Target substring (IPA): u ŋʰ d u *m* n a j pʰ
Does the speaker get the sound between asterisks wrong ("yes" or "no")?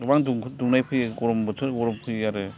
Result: yes